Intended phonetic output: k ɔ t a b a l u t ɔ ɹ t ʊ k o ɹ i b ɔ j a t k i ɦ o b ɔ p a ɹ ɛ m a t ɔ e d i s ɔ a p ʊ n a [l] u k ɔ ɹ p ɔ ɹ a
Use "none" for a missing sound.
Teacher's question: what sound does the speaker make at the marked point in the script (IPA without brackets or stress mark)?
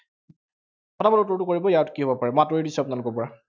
l